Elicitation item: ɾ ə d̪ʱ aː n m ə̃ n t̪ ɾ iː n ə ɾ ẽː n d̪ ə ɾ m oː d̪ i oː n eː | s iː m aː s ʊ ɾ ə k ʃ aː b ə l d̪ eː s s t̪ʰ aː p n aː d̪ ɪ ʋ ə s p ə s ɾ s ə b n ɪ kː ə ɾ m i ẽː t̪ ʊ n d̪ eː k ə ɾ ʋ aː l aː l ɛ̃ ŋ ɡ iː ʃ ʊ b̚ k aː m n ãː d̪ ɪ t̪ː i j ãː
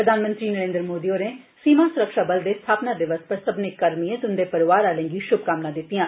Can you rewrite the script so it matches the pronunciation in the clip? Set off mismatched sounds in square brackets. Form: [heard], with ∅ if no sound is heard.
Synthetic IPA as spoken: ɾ ə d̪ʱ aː n m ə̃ n t̪ ɾ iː n ə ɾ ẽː n d̪ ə ɾ m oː d̪ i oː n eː | s iː m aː s ʊ ɾ ə k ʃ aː b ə l d̪ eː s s t̪ʰ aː p n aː d̪ ɪ ʋ ə s p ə [∅] ɾ s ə b n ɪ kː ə ɾ m i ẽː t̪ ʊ n d̪ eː [p] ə ɾ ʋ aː [ɾ] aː l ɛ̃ ŋ ɡ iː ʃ ʊ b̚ k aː m n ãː d̪ ɪ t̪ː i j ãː